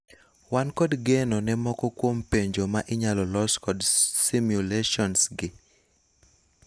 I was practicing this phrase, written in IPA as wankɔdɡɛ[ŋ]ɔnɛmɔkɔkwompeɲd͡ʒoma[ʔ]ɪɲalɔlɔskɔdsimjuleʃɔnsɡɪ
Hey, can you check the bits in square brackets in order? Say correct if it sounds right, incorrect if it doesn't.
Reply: incorrect, correct

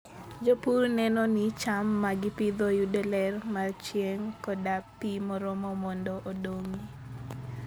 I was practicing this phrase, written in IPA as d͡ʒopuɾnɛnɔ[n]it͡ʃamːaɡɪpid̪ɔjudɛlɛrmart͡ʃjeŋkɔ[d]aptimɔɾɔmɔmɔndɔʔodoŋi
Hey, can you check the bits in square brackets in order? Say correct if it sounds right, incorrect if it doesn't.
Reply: correct, correct

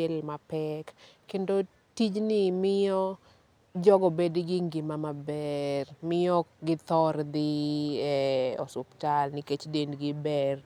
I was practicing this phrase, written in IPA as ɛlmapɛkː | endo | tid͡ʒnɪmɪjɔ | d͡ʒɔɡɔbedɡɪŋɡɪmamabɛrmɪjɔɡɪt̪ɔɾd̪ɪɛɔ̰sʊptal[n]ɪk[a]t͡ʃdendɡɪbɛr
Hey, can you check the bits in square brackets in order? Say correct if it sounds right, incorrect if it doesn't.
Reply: correct, incorrect

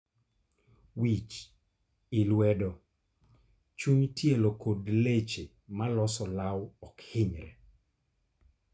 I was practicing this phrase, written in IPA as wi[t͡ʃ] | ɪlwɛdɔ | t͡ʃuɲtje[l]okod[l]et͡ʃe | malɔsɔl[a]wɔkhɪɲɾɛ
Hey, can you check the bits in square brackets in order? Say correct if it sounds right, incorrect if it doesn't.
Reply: correct, correct, correct, correct

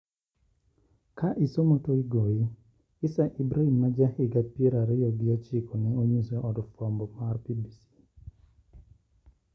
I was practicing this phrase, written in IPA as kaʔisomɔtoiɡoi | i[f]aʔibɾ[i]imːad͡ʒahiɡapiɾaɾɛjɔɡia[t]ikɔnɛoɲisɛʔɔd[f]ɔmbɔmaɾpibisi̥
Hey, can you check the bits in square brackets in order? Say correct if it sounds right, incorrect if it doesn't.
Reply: incorrect, incorrect, incorrect, correct

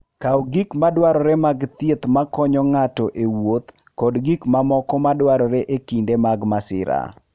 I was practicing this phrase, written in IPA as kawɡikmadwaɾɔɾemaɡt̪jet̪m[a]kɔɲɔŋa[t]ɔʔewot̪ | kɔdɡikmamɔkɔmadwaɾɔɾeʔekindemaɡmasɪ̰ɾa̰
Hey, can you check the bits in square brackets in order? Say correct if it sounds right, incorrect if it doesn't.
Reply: correct, correct

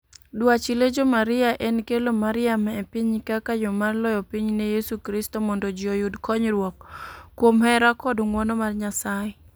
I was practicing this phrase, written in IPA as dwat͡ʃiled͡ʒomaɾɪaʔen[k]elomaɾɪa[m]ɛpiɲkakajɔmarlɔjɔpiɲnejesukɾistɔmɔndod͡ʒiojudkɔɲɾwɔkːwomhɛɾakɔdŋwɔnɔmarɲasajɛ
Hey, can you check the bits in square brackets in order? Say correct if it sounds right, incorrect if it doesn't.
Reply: correct, correct

